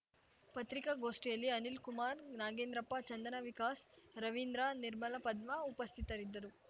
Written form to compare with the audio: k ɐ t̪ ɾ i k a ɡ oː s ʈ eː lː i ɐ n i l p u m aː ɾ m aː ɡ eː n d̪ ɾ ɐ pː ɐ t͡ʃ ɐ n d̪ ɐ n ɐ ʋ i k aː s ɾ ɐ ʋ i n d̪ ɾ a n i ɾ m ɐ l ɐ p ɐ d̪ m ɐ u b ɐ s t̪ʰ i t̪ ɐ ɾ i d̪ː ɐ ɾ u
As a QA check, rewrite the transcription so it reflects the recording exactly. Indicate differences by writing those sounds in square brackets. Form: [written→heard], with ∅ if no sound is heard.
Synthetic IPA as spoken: [k→p] ɐ t̪ ɾ i k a ɡ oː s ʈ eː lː i ɐ n i l [p→k] u m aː ɾ [m→n] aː ɡ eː n d̪ ɾ ɐ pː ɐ t͡ʃ ɐ n d̪ ɐ n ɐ ʋ i k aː s ɾ ɐ ʋ i n d̪ ɾ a n i ɾ m ɐ l ɐ p ɐ d̪ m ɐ u [b→p] ɐ s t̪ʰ i t̪ ɐ ɾ i d̪ː ɐ ɾ u